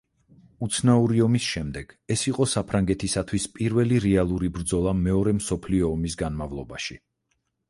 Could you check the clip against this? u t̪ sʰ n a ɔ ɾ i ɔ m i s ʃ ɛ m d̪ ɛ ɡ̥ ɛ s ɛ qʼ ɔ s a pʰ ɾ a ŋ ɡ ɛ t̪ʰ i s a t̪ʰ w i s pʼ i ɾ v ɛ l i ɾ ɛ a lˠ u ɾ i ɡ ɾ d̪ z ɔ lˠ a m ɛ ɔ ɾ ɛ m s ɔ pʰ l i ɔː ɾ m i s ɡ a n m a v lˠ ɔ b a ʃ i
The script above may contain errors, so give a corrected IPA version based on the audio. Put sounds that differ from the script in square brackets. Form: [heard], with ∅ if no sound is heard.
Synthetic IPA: u t̪ sʰ n a [u] ɾ i ɔ m i s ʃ ɛ m d̪ ɛ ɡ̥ ɛ s [i] qʼ ɔ s a pʰ ɾ a ŋ ɡ ɛ t̪ʰ i s a t̪ʰ w i s pʼ i ɾ v ɛ l i ɾ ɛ a lˠ u ɾ i [b] ɾ d̪ z ɔ lˠ a m ɛ ɔ ɾ ɛ m s ɔ pʰ l i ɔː [∅] m i s ɡ a n m a v lˠ ɔ b a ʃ i